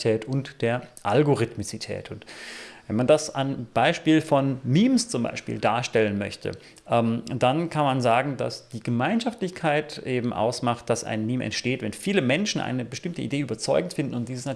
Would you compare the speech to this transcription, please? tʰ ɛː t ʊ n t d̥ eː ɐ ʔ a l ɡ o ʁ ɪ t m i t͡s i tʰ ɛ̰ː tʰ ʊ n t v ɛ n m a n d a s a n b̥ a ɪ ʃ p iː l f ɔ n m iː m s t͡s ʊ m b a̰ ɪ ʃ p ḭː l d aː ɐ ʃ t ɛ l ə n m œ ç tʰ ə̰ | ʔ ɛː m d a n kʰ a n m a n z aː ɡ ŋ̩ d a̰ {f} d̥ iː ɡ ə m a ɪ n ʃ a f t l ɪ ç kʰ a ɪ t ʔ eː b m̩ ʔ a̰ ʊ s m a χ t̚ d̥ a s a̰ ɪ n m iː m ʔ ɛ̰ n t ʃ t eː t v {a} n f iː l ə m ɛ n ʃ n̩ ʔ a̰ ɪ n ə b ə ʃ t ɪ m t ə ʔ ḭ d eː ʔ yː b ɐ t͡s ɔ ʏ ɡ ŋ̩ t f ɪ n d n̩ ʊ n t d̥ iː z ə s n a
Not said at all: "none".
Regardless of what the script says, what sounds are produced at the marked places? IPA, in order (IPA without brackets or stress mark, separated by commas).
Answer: s, ɛ